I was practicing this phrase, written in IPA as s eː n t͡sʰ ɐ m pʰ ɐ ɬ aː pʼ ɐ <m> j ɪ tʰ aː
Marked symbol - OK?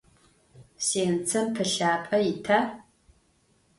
no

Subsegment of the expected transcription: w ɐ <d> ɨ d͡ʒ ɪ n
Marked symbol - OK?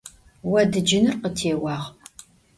yes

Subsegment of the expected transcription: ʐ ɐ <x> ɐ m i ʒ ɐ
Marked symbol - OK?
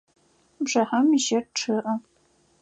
no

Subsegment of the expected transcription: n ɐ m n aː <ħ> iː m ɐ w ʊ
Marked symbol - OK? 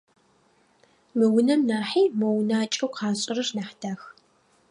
yes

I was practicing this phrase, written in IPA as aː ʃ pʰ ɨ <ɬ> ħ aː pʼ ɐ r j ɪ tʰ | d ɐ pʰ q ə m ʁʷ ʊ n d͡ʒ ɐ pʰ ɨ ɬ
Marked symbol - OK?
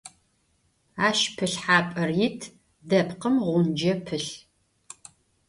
yes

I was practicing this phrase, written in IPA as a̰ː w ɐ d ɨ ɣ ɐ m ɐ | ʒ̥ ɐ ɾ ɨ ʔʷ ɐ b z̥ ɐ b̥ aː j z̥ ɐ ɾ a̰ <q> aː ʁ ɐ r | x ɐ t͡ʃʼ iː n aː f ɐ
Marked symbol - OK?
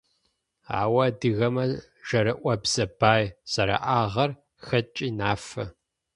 no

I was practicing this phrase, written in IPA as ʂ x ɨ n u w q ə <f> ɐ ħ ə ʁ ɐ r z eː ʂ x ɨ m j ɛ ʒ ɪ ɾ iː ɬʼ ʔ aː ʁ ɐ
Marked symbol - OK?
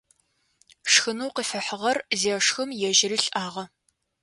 yes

